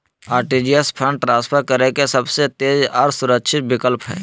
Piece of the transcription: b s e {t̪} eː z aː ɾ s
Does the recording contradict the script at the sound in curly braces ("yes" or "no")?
no